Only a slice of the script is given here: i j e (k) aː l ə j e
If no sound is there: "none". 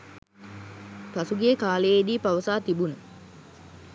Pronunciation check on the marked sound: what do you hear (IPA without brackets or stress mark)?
k